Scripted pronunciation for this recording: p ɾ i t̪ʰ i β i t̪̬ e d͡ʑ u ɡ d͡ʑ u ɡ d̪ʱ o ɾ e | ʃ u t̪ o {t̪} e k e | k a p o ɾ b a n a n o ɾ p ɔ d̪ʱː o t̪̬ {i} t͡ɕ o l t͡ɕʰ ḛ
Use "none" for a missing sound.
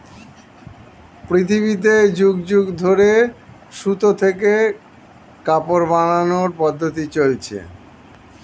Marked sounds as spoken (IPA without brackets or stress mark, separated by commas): t̪ʰ, i